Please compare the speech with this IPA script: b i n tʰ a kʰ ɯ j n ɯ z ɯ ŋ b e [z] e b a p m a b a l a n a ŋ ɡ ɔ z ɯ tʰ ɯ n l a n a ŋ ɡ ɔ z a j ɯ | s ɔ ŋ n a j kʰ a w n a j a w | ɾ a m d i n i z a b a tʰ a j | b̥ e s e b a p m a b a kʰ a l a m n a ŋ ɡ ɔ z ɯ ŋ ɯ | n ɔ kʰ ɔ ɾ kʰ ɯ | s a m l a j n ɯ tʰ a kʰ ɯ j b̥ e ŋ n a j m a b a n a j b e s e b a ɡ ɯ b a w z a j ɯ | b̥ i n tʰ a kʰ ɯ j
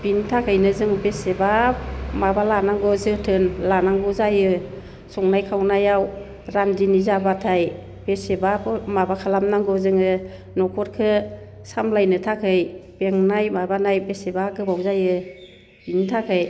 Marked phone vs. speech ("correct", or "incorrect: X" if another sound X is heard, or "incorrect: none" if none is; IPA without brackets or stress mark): incorrect: s